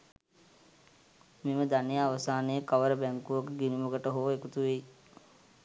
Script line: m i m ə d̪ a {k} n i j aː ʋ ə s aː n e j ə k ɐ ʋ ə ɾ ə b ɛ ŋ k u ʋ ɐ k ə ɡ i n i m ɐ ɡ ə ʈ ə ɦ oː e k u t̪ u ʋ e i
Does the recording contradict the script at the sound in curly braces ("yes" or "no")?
yes